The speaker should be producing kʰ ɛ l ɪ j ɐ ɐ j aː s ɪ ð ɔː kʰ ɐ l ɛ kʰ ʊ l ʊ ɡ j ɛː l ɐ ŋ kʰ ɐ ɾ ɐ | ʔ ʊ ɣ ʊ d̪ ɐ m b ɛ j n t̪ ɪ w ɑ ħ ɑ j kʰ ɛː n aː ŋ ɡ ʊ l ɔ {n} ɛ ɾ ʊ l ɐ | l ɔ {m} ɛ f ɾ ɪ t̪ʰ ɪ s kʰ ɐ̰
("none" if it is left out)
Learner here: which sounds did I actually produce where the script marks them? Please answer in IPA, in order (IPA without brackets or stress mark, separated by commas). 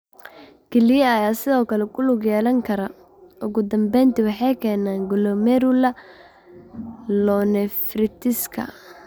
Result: m, n